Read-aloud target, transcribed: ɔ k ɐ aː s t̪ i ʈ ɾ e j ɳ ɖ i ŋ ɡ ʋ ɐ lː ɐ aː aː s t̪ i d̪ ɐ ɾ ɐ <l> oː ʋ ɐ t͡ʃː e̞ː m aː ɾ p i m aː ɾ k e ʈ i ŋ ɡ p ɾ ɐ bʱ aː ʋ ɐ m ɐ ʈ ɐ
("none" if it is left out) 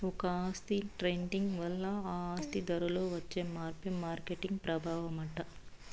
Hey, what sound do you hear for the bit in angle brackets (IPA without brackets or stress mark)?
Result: l